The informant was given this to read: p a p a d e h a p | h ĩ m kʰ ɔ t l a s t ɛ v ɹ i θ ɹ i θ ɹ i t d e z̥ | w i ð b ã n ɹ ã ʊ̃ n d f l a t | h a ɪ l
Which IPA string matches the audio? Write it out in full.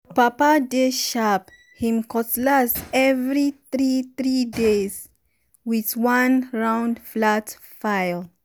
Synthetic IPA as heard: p a p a d e ʃ a p | h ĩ m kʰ ɔ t l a s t ɛ v ɹ i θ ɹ i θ ɹ i d e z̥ | w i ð w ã n ɹ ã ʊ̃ n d f l a t | f a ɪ l

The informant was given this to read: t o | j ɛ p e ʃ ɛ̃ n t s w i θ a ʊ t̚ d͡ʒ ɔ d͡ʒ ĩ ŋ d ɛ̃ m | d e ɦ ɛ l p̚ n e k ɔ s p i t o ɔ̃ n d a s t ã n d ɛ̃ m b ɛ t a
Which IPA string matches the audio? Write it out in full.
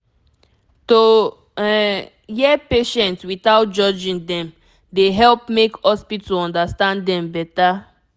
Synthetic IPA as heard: t o | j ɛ p e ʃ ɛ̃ n t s w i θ a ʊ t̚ d͡ʒ ɔ d͡ʒ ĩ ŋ d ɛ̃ m | d e ɦ ɛ l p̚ m e k ɔ s p i t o ɔ̃ n d a s t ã n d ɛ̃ m b ɛ t a

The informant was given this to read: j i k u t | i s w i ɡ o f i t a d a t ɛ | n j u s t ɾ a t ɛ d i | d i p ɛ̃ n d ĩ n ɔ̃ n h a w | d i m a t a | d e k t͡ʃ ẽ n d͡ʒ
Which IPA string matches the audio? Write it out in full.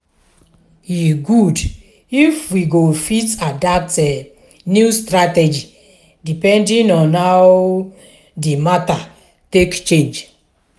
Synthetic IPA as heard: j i ɡ u d | i f w i ɡ o f i t a d a t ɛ | n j u s t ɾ a t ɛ d͡ʒ i | d i p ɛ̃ n d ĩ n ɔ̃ n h a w | d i m a t a | t e k t͡ʃ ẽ n d͡ʒ

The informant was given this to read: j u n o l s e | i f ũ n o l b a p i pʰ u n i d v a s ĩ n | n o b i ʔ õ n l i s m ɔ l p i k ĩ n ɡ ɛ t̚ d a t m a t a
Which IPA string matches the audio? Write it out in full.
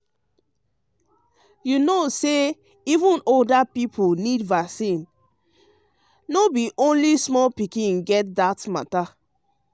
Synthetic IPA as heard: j u n o s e | i v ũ n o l d a p i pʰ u n i d v a s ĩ n | n o b i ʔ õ n l i s m ɔ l p i k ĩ n ɡ ɛ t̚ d a t m a t a

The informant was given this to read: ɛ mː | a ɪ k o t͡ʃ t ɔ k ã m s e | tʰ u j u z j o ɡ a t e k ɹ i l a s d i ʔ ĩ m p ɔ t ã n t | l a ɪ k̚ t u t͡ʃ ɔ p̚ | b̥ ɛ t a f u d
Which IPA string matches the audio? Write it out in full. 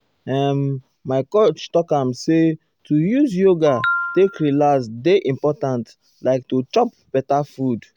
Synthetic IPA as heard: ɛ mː | a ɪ k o t͡ʃ t ɔ k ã m s e | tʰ u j u z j o ɡ a t e k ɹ i l a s d e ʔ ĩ m p ɔ t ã n t | l a ɪ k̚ t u t͡ʃ ɔ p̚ | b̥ ɛ t a f u d

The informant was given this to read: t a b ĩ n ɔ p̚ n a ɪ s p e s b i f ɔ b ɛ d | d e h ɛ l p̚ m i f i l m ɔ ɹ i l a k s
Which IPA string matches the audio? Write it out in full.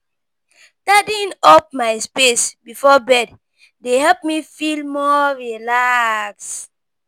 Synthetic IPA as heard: t a d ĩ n ɔ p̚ m a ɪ s p e s b i f ɔ b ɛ d | d e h ɛ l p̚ m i f i l m ɔ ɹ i l a k s

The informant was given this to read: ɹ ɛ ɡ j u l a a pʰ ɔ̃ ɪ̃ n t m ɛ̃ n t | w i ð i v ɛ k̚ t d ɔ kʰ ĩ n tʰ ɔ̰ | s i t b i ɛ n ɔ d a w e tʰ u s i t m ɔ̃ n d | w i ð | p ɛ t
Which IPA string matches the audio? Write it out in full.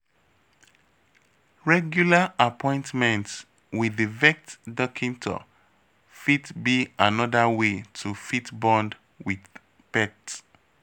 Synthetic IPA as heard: ɹ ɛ ɡ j u l a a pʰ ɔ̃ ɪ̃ n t m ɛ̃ n t | w i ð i v ɛ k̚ t d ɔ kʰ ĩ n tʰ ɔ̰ | f i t b i a n ɔ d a w e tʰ u f i t b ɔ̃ n d | w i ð | p ɛ t

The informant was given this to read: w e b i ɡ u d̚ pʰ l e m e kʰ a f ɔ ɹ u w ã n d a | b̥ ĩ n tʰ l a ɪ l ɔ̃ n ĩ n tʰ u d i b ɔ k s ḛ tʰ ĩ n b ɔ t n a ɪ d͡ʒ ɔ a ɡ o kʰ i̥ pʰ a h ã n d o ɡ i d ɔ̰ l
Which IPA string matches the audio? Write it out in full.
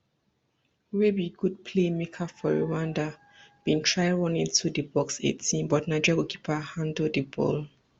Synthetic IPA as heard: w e b i ɡ u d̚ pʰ l e m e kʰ a f ɔ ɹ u w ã n d a | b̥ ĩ n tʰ ɹ a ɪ ɹ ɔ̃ n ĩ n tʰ u d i b ɔ k s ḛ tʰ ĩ n b ɔ t n a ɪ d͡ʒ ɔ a ɡ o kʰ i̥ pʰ a h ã n d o d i b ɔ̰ l

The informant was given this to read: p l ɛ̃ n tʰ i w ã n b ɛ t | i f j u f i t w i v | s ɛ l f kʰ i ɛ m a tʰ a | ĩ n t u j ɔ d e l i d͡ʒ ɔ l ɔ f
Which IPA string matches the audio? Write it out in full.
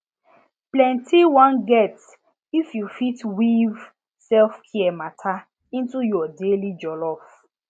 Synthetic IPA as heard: p l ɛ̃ n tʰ i w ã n ɡ ɛ t | i f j u f i t w i v | s ɛ l f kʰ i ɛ m a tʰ a | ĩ n t u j ɔ d e l i d͡ʒ ɔ l ɔ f

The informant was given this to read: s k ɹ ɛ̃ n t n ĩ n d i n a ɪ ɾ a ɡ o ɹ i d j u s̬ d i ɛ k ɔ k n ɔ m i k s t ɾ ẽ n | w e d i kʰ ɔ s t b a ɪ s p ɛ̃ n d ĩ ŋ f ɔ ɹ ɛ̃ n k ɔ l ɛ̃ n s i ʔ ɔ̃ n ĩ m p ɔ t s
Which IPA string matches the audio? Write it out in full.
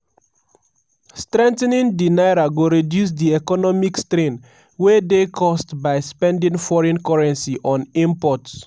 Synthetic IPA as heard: s t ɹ ɛ̃ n t n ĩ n d i n a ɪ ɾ a ɡ o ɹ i d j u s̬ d i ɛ k ɔ n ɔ m i k s t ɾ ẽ n | w e d e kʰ ɔ s t b a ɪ s p ɛ̃ n d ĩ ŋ f ɔ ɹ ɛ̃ n k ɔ ɹ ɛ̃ n s i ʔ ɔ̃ n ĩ m p ɔ t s

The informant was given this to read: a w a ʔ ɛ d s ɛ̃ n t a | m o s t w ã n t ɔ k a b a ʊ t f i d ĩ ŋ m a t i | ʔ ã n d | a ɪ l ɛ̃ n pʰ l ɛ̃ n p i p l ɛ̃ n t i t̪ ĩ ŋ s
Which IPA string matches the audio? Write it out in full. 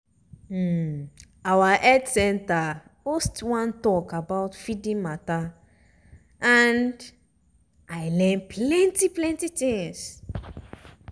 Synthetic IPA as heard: a w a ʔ ɛ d s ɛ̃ n t a | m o s t w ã n t ɔ k a b a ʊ t f i d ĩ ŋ m a t a | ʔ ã n d | a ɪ l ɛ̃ n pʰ l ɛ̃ n t i p l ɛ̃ n t i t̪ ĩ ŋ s

